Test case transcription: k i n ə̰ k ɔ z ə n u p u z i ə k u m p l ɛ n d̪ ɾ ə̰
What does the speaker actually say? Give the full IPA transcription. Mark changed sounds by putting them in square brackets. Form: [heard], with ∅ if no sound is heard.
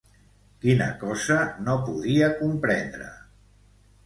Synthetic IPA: k i n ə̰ k ɔ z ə n [o] p u [ð] i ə k u m p [ɾ] ɛ n d̪ ɾ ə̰

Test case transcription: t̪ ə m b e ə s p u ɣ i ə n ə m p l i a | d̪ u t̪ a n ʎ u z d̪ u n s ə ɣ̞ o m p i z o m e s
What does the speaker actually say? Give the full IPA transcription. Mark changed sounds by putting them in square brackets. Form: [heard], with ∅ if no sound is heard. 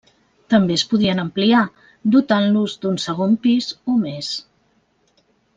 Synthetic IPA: t̪ ə m b e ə s p u [ð] i ə n ə m p l i a | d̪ u t̪ a n [l] u z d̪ u n s ə ɣ̞ o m p i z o m e s

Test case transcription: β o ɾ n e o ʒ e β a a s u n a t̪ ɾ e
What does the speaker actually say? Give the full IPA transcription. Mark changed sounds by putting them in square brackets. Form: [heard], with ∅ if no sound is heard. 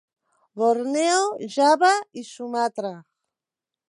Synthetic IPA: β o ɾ n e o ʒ [a] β a [i] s u [m] a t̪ ɾ [a]

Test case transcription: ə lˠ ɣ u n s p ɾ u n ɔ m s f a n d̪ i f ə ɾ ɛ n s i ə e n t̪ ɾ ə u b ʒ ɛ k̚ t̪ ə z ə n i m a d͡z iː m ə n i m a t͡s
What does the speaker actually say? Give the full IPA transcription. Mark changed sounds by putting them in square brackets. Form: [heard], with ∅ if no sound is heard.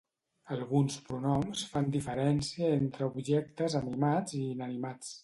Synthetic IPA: ə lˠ ɣ u n s p ɾ u n ɔ m s f a n d̪ i f ə ɾ ɛ n s i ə e n t̪ ɾ ə u b ʒ ɛ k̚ t̪ ə z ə n i m a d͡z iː [n] ə n i m a t͡s

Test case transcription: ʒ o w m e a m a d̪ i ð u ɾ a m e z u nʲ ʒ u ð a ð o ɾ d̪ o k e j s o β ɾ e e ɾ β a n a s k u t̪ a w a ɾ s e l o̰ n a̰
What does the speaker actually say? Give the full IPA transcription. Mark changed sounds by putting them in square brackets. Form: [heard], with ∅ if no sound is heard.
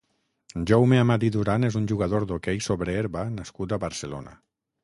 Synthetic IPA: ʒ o w m e a m a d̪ i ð u ɾ a [n] e z u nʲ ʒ u [ɣ] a ð o ɾ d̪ o k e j s o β ɾ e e ɾ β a n a s k u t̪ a [β] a ɾ s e l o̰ n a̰

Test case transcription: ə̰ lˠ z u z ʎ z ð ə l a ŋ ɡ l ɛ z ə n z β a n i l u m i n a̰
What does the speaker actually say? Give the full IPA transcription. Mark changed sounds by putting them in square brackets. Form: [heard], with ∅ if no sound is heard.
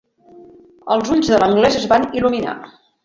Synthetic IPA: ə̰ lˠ z u [∅] ʎ z ð ə l [ə] ŋ ɡ l ɛ z ə [∅] z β a n i l u m i n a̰

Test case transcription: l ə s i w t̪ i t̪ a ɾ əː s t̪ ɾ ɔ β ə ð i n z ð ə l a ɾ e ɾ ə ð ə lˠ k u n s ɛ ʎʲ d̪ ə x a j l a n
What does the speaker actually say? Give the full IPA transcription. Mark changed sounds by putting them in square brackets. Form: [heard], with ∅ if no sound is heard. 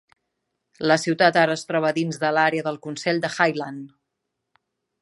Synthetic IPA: l ə s i w t̪ [a] t̪ a ɾ əː s t̪ ɾ ɔ β ə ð i n z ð ə l a ɾ e [∅] ə ð ə lˠ k u n s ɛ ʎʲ d̪ ə x a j l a n

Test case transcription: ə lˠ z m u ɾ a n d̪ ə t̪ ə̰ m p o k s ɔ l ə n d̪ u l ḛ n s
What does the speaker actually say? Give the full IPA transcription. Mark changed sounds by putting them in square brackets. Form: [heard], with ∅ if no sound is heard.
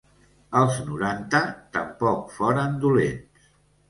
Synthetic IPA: ə lˠ z [n] u ɾ a n [t̪] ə t̪ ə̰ m p [ɔ] k [f] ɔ [ɾ] ə n d̪ u l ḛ n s

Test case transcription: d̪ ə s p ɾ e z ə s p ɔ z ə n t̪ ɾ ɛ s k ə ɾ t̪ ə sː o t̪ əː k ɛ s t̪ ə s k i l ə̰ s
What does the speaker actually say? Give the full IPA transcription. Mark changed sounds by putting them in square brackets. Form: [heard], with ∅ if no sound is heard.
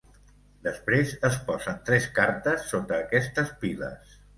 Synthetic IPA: d̪ ə s p ɾ e z ə s p ɔ z ə n t̪ ɾ ɛ s k [a] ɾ t̪ ə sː o t̪ əː k ɛ s t̪ ə s [p] i l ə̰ s

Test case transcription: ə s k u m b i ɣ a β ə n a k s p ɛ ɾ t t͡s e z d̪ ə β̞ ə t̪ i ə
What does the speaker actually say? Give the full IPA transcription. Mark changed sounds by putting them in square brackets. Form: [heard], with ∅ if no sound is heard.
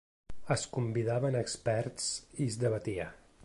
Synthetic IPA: ə s k u m b i [ð] a β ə n [ə] k s p ɛ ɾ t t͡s [i] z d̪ ə β̞ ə t̪ i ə

